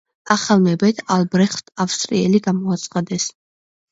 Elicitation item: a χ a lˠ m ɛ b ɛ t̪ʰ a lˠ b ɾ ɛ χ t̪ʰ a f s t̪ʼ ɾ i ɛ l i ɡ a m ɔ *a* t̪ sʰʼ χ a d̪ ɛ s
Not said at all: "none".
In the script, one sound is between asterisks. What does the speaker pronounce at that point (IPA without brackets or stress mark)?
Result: a